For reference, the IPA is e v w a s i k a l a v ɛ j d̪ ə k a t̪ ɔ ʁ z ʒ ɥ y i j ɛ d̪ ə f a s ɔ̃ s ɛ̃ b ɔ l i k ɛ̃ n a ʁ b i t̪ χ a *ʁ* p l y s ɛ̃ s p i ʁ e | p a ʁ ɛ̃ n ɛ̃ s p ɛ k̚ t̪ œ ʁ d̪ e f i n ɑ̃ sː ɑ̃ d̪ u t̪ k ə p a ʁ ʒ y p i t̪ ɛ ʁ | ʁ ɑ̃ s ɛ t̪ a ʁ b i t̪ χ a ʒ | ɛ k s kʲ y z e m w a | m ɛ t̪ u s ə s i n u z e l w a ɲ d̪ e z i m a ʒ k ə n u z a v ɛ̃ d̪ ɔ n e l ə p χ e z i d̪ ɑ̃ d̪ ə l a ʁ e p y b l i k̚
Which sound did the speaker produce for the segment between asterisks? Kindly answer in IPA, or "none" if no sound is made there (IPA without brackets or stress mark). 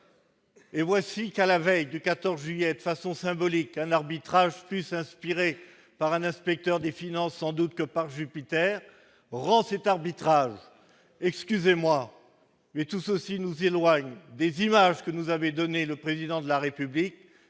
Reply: ʒ